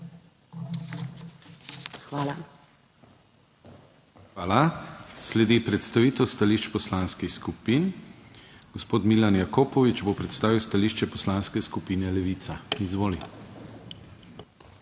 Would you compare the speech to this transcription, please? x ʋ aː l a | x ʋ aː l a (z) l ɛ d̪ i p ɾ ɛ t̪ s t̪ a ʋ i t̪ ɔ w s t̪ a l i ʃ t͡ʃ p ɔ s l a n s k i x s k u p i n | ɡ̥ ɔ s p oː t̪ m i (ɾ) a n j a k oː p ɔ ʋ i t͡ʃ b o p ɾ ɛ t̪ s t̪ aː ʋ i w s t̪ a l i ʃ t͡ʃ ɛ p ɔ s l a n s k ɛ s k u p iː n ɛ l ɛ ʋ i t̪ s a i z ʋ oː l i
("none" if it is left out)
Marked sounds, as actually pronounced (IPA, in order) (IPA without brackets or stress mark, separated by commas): s, l